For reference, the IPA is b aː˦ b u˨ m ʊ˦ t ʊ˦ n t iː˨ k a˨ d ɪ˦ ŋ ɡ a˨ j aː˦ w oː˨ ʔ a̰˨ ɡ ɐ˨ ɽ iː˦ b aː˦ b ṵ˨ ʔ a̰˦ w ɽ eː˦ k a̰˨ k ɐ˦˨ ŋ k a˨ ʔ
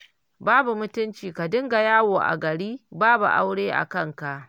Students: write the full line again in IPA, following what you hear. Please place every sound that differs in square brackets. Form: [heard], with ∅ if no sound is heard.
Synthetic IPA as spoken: b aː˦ b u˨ m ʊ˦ t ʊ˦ n [t͡ʃ] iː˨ k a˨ d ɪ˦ ŋ ɡ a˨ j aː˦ w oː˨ ʔ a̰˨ ɡ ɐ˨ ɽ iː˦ b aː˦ b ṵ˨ ʔ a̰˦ w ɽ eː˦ [ʔ] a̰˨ k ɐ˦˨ ŋ k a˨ ʔ